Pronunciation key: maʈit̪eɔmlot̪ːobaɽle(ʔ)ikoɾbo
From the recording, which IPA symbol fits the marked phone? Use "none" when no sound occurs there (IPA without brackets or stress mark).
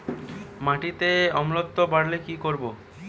k